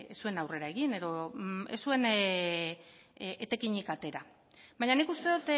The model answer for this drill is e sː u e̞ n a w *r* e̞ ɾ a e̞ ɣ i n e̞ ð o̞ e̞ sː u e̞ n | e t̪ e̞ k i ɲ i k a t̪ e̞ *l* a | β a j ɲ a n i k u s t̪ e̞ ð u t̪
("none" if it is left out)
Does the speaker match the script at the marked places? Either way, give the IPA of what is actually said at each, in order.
r, ɾ

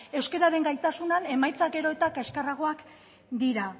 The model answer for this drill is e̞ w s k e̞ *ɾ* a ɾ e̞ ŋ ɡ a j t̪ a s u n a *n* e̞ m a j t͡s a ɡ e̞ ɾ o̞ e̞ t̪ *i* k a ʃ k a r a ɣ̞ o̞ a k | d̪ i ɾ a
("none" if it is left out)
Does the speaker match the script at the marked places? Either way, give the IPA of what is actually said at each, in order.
ɾ, n, a

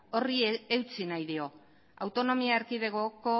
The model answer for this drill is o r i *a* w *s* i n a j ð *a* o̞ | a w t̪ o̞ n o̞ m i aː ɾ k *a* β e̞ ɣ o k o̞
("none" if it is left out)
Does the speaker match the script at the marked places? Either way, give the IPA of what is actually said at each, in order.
e, t͡s, i, i

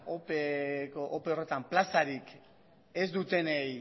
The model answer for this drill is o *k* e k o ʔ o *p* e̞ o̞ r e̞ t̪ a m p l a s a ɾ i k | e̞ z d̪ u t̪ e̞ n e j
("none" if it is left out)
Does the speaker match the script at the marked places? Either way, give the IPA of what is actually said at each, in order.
p, p

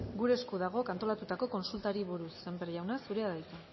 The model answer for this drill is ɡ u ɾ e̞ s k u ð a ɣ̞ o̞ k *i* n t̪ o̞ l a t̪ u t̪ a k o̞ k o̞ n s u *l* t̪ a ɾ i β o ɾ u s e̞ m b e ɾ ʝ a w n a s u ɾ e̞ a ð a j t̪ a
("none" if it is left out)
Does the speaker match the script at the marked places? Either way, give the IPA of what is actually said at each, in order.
a, l

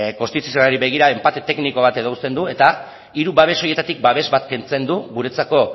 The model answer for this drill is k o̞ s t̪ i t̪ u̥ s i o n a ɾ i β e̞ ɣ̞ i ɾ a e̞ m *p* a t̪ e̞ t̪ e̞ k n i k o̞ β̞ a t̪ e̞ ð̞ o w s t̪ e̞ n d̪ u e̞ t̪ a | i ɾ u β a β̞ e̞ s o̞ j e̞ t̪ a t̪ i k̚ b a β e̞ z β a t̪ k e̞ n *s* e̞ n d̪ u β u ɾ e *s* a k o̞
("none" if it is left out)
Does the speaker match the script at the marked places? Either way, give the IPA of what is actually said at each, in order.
p, t͡s, t͡s

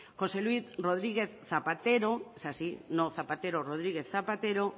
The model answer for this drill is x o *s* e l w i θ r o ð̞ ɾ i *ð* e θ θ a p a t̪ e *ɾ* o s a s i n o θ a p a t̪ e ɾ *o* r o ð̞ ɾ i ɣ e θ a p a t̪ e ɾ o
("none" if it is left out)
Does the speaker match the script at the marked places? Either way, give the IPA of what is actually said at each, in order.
s, ɣ, ɾ, o

